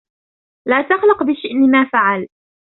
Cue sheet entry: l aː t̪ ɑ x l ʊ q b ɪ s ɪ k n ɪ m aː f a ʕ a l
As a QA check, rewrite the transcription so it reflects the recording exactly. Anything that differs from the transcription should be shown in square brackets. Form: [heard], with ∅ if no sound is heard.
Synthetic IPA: l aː t̪ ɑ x l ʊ q b ɪ [ʃ] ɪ [ʔ] n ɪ m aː f a ʕ a l